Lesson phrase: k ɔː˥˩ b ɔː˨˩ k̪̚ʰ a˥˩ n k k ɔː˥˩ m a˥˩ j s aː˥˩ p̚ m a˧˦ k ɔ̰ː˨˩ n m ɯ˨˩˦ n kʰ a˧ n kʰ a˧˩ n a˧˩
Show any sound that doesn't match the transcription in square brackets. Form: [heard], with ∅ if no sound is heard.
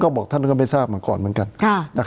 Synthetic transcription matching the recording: k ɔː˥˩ b ɔː˨˩ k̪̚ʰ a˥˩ n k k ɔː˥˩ m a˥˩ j s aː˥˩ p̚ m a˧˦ k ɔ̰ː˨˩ n m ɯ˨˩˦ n [k] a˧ n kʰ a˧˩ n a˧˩

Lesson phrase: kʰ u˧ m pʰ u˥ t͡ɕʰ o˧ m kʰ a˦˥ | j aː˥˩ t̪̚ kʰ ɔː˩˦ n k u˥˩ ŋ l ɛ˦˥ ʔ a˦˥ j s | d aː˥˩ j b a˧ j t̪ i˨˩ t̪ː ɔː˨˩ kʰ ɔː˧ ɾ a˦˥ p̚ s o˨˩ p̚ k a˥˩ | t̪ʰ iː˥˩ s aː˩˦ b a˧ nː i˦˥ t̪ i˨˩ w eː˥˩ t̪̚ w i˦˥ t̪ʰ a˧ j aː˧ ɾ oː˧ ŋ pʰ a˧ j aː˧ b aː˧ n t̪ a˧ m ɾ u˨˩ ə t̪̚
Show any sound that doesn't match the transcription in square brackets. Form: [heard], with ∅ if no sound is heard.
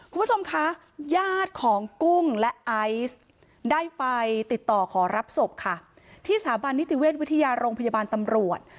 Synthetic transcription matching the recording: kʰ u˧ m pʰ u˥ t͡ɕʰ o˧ m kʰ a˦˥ | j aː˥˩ t̪̚ kʰ ɔː˩˦ [ŋ] k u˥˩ ŋ l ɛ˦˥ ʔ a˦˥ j s | d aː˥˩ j [p] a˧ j t̪ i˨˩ t̪ː ɔː˨˩ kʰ [ɔː˩˦] ɾ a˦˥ p̚ s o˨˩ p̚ [kʰ] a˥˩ | t̪ʰ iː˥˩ s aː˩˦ b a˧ nː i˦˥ t̪ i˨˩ w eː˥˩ t̪̚ w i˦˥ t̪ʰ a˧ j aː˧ ɾ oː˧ ŋ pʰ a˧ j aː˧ b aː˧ n t̪ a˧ m ɾ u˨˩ ə t̪̚

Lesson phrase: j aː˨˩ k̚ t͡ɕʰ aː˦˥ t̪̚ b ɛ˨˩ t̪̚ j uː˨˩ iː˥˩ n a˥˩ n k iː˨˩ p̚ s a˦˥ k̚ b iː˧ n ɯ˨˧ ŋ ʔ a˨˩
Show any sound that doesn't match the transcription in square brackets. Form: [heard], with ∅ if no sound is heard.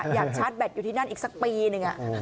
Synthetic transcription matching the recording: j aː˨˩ k̚ t͡ɕʰ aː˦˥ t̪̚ b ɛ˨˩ t̪̚ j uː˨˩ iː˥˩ n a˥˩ n [ʔ] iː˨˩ [k̚] s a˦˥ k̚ [p] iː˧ n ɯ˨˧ ŋ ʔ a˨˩

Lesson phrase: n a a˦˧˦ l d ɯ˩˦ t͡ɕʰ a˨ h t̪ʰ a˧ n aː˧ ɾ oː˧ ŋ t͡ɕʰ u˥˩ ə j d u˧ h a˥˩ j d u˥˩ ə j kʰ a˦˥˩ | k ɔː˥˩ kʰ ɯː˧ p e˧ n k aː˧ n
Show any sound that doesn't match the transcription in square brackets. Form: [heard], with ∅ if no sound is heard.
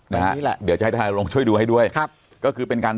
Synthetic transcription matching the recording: n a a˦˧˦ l d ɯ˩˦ [t͡ɕ] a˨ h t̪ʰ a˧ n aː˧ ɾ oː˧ ŋ t͡ɕʰ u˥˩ ə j d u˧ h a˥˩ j d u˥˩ ə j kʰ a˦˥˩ | k ɔː˥˩ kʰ ɯː˧ p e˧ n k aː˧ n

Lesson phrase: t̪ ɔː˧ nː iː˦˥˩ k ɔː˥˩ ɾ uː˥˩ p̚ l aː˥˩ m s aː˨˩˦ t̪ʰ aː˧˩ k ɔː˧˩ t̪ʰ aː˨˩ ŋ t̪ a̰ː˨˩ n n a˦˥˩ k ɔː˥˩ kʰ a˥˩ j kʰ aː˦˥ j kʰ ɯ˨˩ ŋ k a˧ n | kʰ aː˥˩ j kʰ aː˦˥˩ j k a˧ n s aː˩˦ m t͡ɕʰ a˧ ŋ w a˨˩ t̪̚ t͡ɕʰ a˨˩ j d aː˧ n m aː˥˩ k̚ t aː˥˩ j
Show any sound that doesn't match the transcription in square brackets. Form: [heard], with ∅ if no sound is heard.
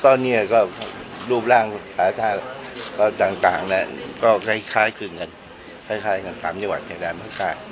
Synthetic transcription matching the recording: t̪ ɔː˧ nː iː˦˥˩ k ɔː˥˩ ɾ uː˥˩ p̚ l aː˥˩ [ŋ] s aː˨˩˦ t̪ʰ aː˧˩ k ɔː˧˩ [t̪] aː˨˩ ŋ t̪ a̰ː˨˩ [ŋ] n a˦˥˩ k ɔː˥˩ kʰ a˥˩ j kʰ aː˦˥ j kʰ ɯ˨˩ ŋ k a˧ n | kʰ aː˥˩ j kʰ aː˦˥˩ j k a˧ n s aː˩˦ m [t͡ɕ] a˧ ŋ w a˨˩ t̪̚ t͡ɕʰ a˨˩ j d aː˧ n m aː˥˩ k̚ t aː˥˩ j

